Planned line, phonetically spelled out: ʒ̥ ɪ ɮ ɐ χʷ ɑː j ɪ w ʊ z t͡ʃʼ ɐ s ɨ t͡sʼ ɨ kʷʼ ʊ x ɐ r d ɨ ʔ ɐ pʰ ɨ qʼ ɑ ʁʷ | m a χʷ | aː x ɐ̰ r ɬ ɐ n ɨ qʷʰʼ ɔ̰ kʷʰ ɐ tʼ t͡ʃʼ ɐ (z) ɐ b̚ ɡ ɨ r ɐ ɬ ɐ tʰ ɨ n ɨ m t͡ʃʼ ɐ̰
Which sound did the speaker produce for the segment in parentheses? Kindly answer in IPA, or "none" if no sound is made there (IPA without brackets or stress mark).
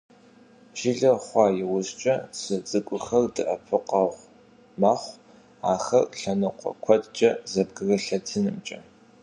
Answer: z